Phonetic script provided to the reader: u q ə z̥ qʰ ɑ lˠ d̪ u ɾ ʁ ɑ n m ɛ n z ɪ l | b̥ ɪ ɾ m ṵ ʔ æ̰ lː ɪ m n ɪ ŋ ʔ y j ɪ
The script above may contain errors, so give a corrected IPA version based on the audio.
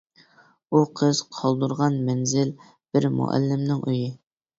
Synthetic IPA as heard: u qʰ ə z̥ qʰ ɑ lˠ d̪ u ɾ ʁ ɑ n m ɛ n z ɪ l | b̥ ɪ ɾ m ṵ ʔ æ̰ lː ɪ m n ɪ ŋ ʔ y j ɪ